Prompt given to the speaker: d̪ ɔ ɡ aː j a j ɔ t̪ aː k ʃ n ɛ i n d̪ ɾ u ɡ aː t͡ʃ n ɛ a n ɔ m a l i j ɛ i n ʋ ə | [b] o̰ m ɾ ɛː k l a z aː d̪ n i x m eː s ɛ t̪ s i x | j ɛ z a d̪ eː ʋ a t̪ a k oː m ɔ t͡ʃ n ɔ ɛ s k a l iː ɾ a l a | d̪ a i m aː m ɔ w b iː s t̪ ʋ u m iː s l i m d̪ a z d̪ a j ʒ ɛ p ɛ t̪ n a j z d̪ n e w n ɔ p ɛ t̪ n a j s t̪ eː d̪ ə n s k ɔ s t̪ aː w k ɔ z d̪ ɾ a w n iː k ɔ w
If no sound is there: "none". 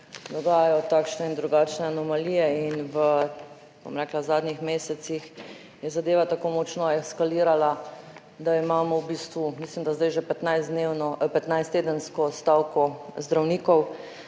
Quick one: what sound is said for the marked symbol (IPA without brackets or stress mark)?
b